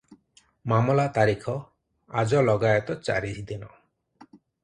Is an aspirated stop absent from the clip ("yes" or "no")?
no